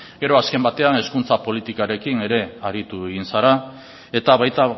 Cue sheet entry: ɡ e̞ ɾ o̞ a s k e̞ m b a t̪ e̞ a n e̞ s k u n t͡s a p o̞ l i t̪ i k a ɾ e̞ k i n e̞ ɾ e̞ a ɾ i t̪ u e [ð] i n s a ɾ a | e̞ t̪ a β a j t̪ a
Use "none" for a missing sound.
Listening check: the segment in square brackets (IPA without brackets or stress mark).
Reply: ɣ